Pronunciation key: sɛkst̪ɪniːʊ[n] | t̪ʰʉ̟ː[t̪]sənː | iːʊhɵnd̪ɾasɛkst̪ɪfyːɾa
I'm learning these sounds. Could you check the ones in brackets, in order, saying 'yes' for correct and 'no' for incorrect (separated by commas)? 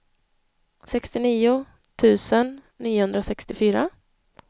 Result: no, no